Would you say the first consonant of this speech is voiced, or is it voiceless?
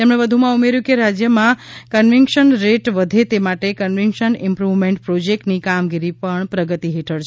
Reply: voiceless